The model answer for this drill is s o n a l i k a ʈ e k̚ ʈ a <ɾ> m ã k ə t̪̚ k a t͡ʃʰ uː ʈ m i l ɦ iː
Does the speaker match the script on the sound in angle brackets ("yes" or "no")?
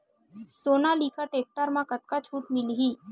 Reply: yes